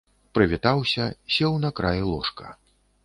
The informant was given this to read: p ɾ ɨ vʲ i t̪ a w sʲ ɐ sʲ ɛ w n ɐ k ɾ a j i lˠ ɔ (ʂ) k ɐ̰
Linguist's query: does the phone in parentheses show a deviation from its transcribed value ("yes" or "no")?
no